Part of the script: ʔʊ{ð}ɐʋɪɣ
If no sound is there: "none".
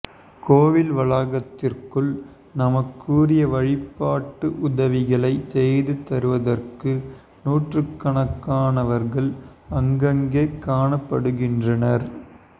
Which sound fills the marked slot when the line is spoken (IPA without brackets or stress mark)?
ð